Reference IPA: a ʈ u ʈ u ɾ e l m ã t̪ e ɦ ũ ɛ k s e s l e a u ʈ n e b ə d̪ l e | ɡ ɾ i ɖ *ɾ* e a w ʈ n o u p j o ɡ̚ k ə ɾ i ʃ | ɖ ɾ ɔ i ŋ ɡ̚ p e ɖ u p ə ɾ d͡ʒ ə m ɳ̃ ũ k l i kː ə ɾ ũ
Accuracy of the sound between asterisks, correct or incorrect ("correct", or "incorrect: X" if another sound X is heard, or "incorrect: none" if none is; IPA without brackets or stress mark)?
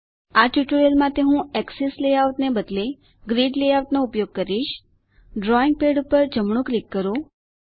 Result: incorrect: l